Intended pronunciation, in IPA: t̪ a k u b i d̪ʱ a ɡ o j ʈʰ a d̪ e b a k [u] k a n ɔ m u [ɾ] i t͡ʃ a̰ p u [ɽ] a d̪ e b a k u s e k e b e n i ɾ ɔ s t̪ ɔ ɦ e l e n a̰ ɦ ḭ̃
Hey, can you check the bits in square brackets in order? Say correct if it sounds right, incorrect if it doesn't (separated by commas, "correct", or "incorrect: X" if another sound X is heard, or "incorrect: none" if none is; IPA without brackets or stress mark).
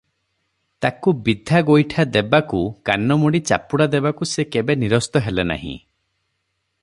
correct, incorrect: ɽ, correct